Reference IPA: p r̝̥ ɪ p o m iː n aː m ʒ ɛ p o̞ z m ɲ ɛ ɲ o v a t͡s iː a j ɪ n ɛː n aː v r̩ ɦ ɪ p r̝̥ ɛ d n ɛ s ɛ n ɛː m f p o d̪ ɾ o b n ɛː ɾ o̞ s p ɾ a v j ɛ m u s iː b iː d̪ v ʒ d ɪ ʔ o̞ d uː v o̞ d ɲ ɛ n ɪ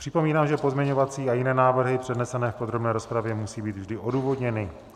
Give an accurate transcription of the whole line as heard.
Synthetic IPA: p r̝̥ ɪ p o m iː n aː m ʒ ɛ p o̞ z m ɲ ɛ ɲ o v a t͡s iː a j ɪ n ɛː n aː v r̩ ɦ ɪ p r̝̥ ɛ d n ɛ s ɛ n ɛː f p o d̪ ɾ o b n ɛː ɾ o̞ s p ɾ a v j ɛ m u s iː b iː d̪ v ʒ d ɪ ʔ o̞ d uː v o̞ d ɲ ɛ n ɪ